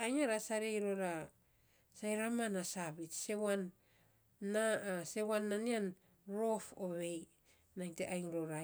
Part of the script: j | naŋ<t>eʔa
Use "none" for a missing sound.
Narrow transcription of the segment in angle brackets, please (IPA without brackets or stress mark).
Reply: t